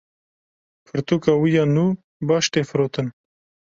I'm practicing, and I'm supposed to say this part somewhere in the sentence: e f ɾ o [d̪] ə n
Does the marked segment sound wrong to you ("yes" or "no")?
yes